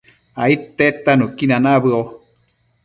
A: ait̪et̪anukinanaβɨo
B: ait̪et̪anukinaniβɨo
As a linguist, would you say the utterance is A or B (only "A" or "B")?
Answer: A